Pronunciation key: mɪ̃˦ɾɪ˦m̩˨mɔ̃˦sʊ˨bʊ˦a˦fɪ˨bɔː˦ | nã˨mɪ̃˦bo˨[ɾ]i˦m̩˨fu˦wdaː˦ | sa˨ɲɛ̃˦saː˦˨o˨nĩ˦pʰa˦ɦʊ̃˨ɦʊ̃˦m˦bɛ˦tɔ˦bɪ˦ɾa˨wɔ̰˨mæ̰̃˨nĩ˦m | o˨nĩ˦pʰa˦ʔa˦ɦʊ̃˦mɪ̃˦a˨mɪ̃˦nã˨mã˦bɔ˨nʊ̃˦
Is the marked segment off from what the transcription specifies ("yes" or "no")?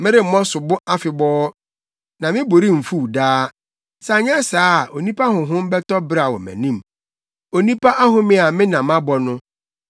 no